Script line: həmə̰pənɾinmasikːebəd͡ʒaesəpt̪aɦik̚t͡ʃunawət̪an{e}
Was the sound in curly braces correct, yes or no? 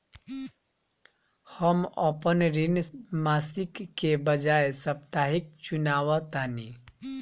no